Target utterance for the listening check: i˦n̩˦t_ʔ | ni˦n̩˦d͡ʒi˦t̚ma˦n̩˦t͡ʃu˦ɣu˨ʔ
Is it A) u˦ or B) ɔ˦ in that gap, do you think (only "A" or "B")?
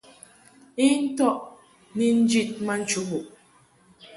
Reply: B